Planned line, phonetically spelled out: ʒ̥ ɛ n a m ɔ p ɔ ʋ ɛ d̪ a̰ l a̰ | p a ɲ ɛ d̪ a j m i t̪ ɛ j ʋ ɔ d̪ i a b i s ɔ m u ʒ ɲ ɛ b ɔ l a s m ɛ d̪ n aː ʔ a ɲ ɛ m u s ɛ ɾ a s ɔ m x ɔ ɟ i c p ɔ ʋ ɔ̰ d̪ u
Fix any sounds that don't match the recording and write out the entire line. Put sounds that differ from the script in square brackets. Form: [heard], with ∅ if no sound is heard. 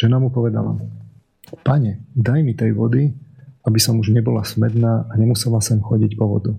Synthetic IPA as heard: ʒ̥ ɛ n a m [u] p ɔ ʋ ɛ d̪ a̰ l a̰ | p a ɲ ɛ d̪ a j m i t̪ ɛ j ʋ ɔ d̪ i a b i s ɔ m u ʒ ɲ ɛ b ɔ l a s m ɛ d̪ n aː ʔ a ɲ ɛ m u s ɛ [l] a s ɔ m x ɔ ɟ i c p ɔ ʋ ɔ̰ d̪ u